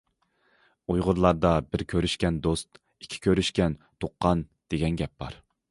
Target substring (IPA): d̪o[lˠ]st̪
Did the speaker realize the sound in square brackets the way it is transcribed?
no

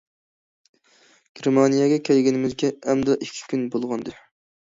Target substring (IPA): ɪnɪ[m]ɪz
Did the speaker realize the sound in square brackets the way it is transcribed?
yes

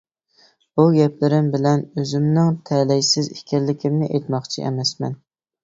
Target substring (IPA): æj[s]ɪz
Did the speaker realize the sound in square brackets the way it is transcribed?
yes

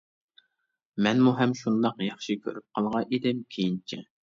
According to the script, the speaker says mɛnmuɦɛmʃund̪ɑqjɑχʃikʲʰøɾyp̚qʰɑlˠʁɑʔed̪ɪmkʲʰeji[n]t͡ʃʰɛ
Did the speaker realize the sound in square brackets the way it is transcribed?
yes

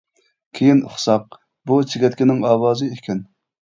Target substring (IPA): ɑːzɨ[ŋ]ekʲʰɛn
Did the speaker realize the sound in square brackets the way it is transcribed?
no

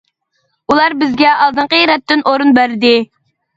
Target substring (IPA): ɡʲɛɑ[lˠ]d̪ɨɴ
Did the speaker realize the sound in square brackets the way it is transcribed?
yes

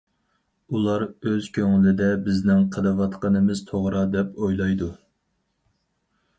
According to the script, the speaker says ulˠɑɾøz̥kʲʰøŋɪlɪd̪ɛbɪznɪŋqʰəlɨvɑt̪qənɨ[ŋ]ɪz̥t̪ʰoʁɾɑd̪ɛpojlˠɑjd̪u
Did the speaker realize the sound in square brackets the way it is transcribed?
no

